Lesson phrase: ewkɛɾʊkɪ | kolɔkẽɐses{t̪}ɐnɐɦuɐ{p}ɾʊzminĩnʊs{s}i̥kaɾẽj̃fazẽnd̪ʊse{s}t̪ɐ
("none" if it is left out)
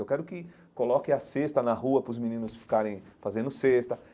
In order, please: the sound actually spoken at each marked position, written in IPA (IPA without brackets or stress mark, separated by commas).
t̪, p, f, s